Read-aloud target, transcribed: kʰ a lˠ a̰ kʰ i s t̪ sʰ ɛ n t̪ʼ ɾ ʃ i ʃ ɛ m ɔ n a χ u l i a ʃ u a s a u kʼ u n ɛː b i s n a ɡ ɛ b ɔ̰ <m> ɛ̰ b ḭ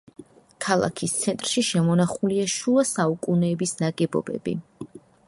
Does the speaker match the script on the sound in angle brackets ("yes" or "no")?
no